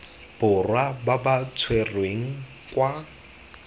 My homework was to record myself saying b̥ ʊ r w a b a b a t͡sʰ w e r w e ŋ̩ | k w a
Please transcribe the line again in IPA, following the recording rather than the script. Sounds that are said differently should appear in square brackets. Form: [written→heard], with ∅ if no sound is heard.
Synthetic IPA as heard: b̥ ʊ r w a b a b a t͡sʰ w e r w e ŋ̩ | k w a